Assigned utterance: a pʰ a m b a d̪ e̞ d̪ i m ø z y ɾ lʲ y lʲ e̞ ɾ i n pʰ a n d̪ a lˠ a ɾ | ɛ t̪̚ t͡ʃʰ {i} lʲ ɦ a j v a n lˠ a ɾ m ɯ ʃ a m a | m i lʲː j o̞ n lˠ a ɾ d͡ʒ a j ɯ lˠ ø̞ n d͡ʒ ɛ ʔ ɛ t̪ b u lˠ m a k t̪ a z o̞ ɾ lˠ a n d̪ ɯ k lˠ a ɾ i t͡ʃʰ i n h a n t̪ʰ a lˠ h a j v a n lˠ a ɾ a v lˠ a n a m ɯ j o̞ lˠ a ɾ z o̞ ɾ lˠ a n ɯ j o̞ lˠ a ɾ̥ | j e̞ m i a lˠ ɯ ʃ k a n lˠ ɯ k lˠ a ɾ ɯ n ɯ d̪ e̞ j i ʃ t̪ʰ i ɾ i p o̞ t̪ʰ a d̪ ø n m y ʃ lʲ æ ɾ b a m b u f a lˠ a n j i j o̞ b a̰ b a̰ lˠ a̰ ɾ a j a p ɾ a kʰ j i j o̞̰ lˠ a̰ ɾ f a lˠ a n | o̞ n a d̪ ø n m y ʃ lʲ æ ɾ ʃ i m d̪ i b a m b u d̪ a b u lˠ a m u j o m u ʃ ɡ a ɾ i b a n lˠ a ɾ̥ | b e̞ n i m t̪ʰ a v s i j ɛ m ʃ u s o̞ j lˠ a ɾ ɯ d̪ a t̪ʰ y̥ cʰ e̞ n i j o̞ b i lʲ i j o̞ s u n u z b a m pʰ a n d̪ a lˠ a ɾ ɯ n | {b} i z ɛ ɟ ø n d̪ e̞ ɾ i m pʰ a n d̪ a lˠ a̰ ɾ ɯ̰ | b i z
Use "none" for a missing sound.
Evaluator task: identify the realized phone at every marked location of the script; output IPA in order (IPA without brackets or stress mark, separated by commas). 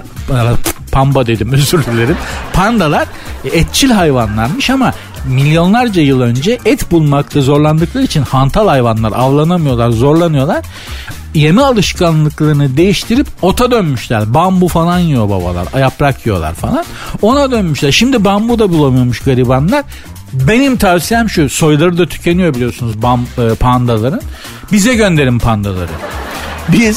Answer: i, b